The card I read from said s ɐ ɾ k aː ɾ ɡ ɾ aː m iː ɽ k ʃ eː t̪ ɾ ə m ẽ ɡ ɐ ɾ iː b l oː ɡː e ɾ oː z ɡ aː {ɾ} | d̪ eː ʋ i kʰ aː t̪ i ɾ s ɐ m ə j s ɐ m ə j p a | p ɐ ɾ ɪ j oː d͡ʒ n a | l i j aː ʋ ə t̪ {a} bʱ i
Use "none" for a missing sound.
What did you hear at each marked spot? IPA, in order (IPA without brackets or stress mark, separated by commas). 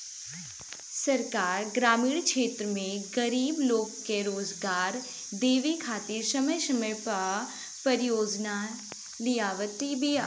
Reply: ɾ, i